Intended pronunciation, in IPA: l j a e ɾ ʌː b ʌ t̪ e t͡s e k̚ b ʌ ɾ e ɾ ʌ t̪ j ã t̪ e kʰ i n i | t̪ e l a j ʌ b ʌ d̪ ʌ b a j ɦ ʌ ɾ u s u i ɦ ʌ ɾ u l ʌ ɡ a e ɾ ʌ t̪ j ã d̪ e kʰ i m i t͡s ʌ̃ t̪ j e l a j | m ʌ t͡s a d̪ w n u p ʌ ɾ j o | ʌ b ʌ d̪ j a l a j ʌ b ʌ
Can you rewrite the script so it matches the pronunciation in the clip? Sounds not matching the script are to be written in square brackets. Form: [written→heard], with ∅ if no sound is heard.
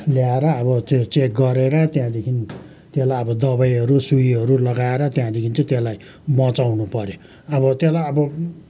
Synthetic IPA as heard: l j a e ɾ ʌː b ʌ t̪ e t͡s e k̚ [b→ɡ] ʌ ɾ e ɾ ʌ t̪ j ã [t̪→d̪] e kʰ i n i | t̪ e l a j ʌ b ʌ d̪ ʌ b a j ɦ ʌ ɾ u s u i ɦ ʌ ɾ u l ʌ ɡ a e ɾ ʌ t̪ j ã d̪ e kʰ i [m→n] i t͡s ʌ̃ t̪ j e l a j | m ʌ t͡s a [d̪→∅] w n u p ʌ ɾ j o | ʌ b ʌ [d̪→t̪] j [a→e] l a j ʌ b ʌ